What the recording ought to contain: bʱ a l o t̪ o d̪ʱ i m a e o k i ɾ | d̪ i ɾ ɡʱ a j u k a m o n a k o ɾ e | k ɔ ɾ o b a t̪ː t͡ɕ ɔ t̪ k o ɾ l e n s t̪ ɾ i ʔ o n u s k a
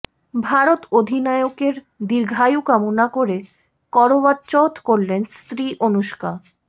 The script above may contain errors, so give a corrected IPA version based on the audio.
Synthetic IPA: bʱ a ɾ o t̪ o d̪ʱ i n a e o k e ɾ | d̪ i ɾ ɡʱ a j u k a m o n a k o ɾ e | k ɔ ɾ o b a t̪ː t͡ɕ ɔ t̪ k o ɾ l e n s t̪ ɾ i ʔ o n u ʃ k a